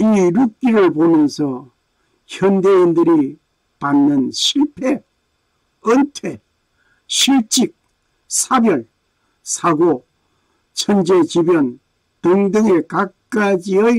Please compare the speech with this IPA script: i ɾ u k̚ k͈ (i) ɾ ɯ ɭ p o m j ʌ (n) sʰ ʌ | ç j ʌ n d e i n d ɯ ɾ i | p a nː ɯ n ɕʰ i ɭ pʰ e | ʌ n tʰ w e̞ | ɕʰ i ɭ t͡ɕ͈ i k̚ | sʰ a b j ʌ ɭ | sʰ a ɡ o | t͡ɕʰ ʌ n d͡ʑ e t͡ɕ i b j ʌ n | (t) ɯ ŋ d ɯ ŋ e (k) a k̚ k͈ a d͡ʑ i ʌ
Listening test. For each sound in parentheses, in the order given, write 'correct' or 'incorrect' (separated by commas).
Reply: correct, correct, correct, correct